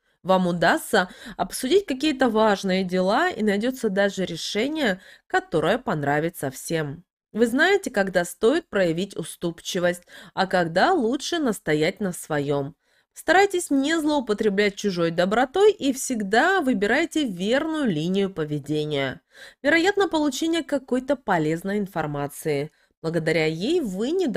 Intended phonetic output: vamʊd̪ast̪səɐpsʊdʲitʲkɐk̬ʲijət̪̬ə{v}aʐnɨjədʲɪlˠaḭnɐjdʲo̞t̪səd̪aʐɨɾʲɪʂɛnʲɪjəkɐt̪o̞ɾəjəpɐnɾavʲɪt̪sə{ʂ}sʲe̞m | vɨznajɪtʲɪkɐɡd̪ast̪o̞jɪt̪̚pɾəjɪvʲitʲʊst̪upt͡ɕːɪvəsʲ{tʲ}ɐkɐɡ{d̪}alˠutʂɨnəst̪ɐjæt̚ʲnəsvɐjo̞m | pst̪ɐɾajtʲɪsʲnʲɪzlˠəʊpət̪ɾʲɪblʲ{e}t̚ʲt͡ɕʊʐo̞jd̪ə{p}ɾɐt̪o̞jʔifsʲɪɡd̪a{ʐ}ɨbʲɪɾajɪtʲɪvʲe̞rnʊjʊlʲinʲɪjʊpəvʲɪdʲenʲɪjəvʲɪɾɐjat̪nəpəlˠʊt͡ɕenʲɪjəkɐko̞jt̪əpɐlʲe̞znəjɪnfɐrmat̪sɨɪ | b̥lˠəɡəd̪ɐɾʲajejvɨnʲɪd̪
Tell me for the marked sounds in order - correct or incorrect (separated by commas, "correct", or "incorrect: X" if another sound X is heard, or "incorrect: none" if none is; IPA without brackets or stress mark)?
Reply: correct, incorrect: f, correct, correct, incorrect: æ, incorrect: b, incorrect: v